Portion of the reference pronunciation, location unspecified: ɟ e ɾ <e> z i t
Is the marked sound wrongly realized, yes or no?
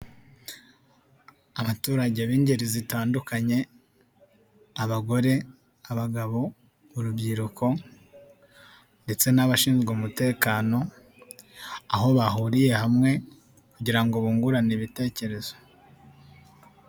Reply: yes